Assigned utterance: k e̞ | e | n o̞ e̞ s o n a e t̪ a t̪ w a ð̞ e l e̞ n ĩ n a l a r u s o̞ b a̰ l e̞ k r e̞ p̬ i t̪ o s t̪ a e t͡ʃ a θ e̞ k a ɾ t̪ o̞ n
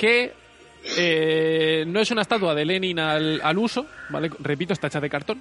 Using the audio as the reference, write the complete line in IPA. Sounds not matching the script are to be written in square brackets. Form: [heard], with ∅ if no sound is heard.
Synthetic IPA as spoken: k e̞ | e | n o̞ e̞ s [u] n a e t̪ a t̪ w a ð̞ e l e̞ n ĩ n a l a [l] u s o̞ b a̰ l e̞ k r e̞ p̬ i t̪ o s t̪ a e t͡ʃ a [ð] e̞ k a ɾ t̪ o̞ n